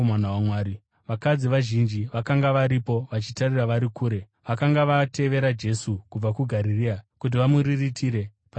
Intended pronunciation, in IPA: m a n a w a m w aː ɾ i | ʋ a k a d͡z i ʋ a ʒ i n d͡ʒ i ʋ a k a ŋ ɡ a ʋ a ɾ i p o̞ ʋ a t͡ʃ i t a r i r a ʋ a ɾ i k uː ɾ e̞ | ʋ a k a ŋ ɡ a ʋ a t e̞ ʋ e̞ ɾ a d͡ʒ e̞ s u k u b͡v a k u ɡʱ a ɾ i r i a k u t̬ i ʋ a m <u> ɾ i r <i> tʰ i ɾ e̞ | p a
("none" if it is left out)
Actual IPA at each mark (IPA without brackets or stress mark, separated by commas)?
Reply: u, i